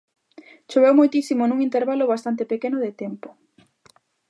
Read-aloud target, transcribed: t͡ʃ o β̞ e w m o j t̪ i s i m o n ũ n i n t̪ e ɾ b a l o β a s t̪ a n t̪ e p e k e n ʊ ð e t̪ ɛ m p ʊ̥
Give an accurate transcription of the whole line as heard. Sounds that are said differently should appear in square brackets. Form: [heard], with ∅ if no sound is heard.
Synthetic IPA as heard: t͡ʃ o β̞ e w m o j t̪ i s i m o n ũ [ŋ] i n t̪ e ɾ [β] a l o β a s t̪ a n t̪ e p e k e n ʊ ð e t̪ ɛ m p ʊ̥